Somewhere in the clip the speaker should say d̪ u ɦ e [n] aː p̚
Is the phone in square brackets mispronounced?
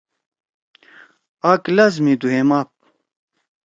yes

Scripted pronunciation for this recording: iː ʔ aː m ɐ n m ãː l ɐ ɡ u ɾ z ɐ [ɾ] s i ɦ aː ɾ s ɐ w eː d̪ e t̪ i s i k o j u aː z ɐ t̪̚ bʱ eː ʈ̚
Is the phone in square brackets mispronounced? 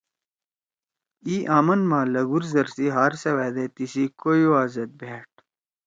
no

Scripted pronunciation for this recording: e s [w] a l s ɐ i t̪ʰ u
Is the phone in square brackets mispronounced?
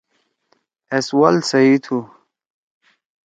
no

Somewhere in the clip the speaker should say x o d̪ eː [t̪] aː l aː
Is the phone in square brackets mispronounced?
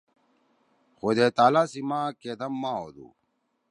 no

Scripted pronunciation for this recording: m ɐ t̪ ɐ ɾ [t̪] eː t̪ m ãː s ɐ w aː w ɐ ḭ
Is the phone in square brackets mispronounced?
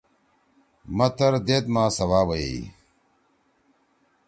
yes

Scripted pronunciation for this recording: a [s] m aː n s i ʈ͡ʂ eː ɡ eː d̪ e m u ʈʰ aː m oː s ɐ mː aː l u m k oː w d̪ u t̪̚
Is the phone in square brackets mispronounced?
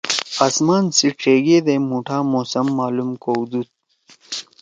no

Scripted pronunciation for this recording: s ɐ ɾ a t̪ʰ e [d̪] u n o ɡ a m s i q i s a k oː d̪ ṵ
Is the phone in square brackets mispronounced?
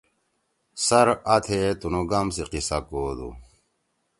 yes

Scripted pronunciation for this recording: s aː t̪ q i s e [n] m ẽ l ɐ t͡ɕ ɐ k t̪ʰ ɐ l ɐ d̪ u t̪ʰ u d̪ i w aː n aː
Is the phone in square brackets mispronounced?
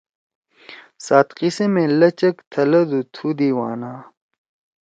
yes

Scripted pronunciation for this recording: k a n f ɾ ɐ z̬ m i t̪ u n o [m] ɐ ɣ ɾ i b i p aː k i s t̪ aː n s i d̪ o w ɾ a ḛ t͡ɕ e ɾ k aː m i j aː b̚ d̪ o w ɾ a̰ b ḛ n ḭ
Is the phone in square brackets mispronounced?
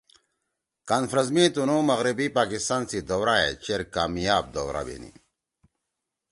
no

